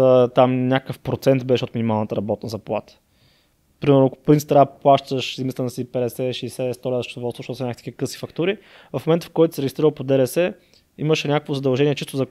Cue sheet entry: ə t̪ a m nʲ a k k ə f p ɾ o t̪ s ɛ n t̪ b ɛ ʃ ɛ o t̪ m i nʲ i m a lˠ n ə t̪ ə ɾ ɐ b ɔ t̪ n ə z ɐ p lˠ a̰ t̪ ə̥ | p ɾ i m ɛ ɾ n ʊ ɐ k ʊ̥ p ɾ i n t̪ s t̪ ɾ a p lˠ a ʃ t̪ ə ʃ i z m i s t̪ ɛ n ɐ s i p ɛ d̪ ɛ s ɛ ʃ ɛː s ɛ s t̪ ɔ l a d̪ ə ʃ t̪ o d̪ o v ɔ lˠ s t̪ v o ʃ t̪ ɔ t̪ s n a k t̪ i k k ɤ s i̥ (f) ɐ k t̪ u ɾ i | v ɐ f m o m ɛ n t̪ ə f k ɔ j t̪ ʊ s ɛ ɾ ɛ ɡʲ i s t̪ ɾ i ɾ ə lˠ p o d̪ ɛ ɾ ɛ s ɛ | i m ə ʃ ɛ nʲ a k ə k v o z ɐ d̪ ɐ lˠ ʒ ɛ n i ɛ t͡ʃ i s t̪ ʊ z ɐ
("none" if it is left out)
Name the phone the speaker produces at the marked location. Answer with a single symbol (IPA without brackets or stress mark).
f